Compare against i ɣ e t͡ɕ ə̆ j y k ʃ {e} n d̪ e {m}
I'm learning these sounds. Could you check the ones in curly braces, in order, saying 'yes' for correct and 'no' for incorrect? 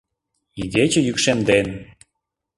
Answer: yes, no

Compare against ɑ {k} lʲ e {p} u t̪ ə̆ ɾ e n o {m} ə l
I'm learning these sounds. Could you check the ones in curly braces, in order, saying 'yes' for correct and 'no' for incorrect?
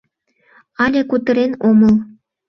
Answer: no, no, yes

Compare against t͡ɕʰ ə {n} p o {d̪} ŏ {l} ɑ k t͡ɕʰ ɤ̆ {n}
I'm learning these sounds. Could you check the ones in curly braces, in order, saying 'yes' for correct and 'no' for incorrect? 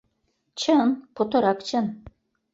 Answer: yes, no, no, yes

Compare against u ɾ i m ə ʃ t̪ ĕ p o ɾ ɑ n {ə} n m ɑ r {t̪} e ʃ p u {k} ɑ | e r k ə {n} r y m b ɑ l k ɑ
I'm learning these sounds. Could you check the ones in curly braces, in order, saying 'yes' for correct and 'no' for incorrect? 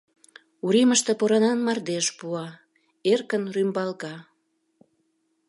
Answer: no, no, no, yes

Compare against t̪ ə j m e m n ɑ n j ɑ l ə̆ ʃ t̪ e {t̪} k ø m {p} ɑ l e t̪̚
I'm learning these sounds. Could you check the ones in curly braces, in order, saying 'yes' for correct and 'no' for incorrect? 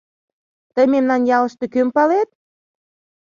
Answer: no, yes

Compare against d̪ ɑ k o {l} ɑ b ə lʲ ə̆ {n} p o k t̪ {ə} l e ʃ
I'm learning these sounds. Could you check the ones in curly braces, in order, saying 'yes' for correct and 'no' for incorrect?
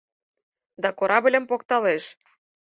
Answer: no, no, no

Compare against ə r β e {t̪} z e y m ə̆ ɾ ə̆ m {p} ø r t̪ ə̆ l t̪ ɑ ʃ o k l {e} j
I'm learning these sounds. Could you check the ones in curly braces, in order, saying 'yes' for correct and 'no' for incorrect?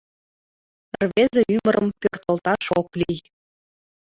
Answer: no, yes, no

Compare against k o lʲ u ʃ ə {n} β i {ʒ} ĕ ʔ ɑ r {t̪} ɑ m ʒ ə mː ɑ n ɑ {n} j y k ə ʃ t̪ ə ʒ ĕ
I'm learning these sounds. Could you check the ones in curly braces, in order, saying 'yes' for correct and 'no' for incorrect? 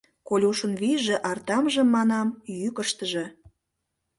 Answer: yes, yes, yes, no

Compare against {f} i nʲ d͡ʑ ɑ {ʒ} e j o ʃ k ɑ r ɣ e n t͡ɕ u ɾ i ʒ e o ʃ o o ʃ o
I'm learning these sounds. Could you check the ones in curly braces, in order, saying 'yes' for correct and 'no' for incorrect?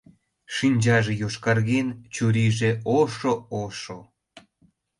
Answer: no, yes

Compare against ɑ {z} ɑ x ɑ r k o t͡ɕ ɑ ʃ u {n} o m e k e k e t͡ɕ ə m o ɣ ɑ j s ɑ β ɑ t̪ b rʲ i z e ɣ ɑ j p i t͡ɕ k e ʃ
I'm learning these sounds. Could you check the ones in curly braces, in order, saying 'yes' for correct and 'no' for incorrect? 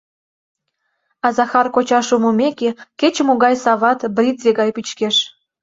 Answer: yes, no

